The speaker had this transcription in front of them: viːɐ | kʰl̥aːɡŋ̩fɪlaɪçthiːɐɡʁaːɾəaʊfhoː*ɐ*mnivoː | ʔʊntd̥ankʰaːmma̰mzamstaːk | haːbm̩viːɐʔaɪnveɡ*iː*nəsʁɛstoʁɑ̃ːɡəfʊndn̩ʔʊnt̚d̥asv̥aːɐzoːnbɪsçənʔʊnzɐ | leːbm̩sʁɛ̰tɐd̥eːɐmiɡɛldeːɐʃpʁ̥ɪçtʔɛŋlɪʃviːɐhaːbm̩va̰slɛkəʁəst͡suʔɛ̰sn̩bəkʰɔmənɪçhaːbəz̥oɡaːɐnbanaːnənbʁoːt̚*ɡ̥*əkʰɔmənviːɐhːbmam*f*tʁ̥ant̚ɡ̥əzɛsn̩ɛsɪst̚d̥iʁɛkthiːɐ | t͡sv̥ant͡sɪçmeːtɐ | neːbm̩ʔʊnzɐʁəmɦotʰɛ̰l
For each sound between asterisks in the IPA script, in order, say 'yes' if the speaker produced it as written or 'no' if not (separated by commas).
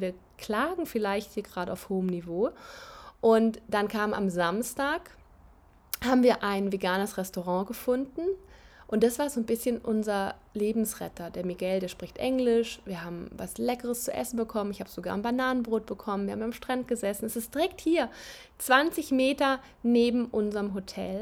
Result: no, no, no, no